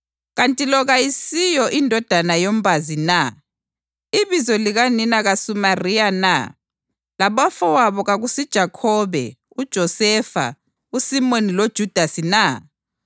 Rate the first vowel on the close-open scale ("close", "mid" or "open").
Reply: open